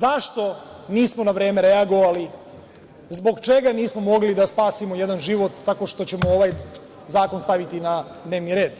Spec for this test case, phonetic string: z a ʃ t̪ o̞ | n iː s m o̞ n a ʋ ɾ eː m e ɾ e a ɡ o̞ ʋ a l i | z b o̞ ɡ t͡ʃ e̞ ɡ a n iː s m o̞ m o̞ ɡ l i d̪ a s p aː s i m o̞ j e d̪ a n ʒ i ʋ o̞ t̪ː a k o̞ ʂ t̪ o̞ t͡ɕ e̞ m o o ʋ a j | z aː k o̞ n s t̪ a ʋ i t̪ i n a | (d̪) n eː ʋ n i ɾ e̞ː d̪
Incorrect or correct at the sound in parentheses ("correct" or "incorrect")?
correct